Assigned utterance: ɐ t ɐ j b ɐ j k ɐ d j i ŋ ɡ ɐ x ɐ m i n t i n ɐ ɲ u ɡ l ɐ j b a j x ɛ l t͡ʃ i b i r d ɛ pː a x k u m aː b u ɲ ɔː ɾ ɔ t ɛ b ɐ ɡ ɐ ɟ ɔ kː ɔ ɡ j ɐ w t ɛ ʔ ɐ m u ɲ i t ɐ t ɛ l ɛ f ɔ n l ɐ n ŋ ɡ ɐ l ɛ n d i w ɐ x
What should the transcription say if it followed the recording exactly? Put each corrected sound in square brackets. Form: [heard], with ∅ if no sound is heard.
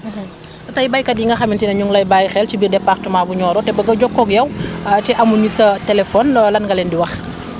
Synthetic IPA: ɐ t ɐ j b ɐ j k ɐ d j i ŋ ɡ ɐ x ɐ m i n t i n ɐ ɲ u [ŋ] l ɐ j b a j x ɛ l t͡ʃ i b i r d ɛ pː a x [t] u m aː b u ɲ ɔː ɾ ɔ t ɛ b ɐ ɡ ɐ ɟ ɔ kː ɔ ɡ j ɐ w t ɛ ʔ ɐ m u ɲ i [s] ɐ t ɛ l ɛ f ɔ n l ɐ n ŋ ɡ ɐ l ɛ n d i w ɐ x